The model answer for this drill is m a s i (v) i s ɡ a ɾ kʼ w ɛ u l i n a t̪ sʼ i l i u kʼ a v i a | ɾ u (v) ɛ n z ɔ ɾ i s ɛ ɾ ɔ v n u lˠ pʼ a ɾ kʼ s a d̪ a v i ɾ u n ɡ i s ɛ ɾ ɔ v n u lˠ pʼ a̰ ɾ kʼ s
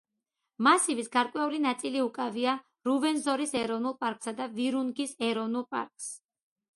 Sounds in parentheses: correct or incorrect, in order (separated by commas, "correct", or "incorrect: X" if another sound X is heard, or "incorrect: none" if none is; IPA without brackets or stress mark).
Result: correct, correct